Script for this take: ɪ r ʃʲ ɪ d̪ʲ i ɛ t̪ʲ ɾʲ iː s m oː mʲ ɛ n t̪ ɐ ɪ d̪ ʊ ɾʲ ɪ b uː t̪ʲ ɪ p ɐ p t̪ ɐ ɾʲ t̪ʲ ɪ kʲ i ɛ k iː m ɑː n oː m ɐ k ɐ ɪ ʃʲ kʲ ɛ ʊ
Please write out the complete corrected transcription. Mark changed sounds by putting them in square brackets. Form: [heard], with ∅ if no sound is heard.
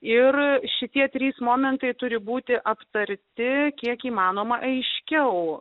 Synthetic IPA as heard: ɪ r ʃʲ ɪ [t̪ʲ] i ɛ t̪ʲ ɾʲ iː s m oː mʲ ɛ n t̪ ɐ ɪ [t̪] ʊ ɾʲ ɪ b uː t̪ʲ ɪ [ʔ] ɐ p t̪ ɐ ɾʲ t̪ʲ ɪ kʲ i ɛ k iː m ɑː n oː m ɐ [ʔ] ɐ ɪ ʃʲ kʲ ɛ ʊ